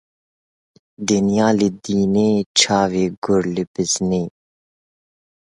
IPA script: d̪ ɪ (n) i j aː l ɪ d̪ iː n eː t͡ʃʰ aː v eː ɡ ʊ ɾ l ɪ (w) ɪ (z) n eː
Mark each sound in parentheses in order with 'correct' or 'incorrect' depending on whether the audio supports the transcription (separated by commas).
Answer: correct, incorrect, correct